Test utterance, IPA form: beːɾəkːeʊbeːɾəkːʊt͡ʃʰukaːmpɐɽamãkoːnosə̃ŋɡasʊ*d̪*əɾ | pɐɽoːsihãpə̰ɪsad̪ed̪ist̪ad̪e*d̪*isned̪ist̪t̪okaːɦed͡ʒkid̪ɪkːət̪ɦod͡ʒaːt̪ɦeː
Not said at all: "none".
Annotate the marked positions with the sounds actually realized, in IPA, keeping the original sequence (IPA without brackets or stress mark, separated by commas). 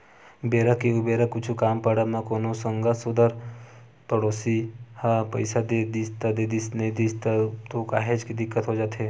d̪, d̪